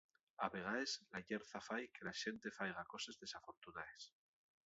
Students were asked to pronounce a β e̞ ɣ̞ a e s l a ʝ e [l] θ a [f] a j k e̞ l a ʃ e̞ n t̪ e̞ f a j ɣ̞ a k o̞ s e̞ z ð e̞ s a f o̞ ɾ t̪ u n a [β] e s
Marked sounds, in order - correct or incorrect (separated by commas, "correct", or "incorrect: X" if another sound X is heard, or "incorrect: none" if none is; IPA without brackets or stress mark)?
incorrect: ɾ, correct, incorrect: none